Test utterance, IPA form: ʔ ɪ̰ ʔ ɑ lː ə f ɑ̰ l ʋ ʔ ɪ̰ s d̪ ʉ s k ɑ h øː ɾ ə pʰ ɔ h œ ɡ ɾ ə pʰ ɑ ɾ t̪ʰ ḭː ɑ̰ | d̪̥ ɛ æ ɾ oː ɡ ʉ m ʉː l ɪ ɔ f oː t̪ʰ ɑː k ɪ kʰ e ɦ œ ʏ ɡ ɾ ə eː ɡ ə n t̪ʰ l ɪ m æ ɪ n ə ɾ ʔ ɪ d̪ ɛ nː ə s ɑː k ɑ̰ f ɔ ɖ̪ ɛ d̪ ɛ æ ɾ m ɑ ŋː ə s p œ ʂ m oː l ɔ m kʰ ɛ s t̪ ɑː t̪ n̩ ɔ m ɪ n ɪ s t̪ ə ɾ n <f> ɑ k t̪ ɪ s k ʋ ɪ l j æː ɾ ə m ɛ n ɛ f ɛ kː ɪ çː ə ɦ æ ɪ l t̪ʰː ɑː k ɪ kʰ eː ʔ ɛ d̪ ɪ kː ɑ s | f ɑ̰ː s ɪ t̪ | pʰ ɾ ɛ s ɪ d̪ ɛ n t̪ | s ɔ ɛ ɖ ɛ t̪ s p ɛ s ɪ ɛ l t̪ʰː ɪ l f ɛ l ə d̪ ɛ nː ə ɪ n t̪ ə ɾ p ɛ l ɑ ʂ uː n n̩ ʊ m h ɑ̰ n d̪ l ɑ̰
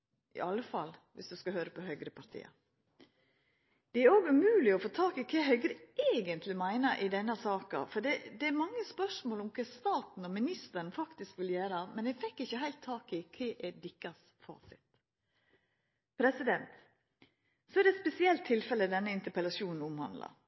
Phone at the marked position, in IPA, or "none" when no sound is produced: f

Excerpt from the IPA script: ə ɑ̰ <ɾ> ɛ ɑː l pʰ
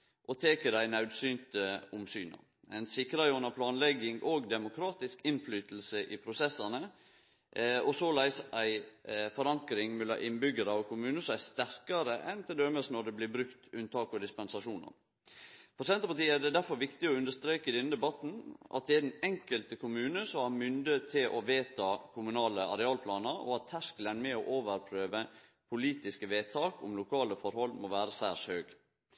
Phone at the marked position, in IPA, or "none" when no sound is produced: ɾ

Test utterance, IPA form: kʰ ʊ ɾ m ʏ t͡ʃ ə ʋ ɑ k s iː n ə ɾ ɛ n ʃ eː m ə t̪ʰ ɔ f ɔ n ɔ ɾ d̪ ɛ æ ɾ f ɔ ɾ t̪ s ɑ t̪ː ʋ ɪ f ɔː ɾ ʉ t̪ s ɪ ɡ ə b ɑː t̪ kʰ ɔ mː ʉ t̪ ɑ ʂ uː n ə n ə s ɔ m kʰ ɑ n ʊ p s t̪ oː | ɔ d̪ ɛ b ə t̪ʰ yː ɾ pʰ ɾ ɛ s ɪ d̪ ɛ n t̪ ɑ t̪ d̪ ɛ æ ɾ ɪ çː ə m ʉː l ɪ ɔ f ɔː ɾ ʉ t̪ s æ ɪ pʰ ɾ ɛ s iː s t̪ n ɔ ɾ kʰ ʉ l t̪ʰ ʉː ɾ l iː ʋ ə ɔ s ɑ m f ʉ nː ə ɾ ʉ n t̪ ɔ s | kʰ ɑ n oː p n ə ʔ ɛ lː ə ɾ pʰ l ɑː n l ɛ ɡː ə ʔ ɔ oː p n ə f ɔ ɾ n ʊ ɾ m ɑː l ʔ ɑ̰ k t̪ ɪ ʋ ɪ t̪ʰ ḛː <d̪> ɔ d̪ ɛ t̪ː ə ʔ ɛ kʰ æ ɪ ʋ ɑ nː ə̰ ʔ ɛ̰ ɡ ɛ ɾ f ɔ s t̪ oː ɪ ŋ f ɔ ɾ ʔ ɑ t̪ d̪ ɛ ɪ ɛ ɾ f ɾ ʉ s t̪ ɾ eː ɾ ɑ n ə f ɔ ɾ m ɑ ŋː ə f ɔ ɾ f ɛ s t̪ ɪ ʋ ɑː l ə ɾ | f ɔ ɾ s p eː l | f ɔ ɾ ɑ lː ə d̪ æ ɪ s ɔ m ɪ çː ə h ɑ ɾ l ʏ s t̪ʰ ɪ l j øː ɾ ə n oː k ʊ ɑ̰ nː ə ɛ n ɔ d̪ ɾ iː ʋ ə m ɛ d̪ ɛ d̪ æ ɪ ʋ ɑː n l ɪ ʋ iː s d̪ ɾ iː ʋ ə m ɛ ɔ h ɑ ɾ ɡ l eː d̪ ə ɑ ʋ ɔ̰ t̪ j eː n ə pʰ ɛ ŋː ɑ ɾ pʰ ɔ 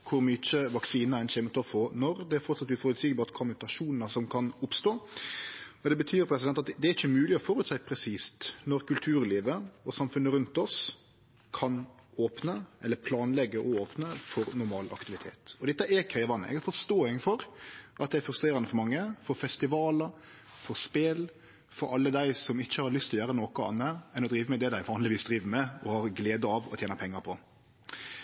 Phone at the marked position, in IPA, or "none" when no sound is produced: t̪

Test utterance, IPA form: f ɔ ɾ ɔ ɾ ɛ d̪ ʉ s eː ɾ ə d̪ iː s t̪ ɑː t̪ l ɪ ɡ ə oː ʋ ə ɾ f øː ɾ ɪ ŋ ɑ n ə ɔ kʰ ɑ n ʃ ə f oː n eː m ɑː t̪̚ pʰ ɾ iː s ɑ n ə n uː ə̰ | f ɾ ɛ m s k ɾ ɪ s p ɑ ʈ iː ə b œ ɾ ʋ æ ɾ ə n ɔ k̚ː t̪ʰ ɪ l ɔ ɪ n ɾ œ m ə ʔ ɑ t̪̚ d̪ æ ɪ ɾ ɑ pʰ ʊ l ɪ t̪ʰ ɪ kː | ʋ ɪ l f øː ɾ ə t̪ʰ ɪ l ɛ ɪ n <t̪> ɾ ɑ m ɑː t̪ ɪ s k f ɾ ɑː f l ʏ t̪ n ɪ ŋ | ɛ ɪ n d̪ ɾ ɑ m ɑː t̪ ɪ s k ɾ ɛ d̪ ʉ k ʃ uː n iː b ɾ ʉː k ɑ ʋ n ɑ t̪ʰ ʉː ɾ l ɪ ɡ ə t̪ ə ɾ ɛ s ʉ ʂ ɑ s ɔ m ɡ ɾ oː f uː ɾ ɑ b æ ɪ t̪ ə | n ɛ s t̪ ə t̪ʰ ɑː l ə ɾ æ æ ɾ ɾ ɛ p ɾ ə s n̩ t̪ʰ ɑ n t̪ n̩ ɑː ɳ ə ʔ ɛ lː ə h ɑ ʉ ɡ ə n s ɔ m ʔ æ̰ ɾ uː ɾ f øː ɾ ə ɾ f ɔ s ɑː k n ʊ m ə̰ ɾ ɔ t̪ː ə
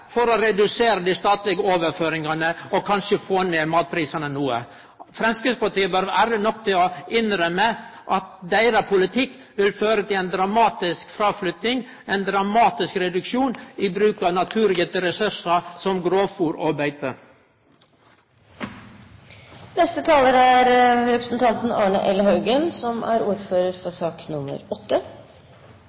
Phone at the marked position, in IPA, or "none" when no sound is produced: d̪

